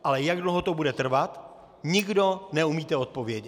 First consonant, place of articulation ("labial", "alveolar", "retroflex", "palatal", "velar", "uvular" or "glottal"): glottal